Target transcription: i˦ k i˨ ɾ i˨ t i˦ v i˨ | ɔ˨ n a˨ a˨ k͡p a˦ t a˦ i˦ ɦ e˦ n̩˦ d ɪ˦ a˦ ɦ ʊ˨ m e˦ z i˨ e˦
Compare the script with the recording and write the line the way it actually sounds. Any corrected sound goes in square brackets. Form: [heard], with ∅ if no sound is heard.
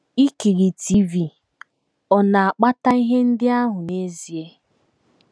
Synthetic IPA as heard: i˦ k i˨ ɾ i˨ t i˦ v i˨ | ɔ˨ n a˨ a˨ k͡p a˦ t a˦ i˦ ɦ e˦ n̩˦ d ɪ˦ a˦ ɦ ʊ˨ [n] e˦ z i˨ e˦